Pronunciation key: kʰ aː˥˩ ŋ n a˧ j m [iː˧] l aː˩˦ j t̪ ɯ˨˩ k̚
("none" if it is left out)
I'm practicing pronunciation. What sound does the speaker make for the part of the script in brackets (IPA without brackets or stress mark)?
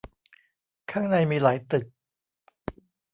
iː˧